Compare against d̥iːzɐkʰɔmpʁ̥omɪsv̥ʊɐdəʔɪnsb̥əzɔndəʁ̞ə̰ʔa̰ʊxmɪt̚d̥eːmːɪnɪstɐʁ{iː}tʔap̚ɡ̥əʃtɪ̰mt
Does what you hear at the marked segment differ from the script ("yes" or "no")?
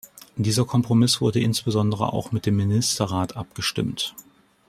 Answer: yes